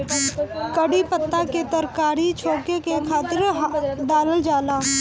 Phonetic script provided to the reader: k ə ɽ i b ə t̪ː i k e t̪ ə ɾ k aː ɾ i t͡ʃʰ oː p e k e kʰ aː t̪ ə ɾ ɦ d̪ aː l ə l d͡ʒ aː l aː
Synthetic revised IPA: k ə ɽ i p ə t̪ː a k e t̪ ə ɾ k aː ɾ i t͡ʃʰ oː k e k e kʰ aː t̪ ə ɾ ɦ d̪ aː l ə l d͡ʒ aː l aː